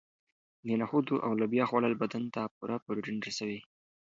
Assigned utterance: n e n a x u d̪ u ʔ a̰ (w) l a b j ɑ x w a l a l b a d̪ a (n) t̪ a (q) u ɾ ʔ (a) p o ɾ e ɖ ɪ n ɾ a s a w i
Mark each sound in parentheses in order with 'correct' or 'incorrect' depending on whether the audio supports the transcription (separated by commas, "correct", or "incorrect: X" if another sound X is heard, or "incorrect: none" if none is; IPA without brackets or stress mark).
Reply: correct, correct, incorrect: p, correct